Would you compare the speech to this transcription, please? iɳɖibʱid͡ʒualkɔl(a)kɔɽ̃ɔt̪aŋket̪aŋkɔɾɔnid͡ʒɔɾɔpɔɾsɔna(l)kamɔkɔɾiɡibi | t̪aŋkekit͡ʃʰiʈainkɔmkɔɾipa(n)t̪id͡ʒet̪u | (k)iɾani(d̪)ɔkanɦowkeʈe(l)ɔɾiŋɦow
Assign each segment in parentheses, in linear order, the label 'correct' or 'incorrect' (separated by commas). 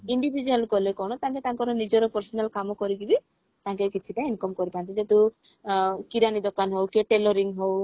incorrect, correct, correct, correct, correct, correct